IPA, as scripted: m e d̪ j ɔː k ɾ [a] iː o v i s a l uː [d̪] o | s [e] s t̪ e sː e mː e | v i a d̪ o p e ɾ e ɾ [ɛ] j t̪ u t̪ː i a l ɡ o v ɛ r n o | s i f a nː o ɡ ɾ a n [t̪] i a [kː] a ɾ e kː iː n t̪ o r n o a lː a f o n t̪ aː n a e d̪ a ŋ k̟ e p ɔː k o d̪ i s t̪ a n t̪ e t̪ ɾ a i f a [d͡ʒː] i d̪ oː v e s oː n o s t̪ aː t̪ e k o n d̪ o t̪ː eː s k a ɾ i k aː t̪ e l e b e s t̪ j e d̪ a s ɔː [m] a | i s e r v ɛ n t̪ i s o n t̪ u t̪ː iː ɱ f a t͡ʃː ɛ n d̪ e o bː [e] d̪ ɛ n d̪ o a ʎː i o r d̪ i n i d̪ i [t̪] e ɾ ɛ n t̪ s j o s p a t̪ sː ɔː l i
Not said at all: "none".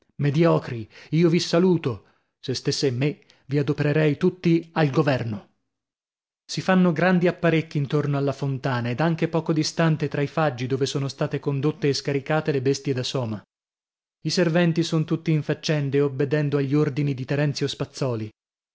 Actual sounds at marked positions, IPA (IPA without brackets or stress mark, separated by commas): i, t̪, e, ɛ, d̪, pː, d͡ʒː, m, e, t̪